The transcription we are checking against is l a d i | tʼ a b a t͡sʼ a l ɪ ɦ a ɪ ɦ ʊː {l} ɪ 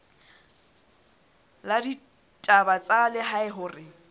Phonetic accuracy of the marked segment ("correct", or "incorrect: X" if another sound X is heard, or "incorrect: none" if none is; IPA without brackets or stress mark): incorrect: r